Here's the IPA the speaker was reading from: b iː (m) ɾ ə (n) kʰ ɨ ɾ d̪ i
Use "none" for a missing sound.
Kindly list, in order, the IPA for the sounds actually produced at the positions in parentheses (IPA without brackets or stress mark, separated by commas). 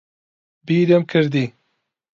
none, m